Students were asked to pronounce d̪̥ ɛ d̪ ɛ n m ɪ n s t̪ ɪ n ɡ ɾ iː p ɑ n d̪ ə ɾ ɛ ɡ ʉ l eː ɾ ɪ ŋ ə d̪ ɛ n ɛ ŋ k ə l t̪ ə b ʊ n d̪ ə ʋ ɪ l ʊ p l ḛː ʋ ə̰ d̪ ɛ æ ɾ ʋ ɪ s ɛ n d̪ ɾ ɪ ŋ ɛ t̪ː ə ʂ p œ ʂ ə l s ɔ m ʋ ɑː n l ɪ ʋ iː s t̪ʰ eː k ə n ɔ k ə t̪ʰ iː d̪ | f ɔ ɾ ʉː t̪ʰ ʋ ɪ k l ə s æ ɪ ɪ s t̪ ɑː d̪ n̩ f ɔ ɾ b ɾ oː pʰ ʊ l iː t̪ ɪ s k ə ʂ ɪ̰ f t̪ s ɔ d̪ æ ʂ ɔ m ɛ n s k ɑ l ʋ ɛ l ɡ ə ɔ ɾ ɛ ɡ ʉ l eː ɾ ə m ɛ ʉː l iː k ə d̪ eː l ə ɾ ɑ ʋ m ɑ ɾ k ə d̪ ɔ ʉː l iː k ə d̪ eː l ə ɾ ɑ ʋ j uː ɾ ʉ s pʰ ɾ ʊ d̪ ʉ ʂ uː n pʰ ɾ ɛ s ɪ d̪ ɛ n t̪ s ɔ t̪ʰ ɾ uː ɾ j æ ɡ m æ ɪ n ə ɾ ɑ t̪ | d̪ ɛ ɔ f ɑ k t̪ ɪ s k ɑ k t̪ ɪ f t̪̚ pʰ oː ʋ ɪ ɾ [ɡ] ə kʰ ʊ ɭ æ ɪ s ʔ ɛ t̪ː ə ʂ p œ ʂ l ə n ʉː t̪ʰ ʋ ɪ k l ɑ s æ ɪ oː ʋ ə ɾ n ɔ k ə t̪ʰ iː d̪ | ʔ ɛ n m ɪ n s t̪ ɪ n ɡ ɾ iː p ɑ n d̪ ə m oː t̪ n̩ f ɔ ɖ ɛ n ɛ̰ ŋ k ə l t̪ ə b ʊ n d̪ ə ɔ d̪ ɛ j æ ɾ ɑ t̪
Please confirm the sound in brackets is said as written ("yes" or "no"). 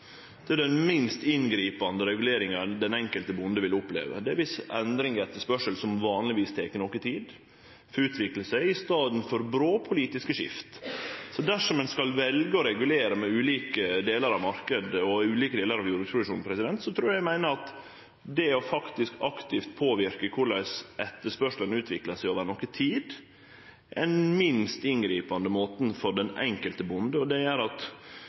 no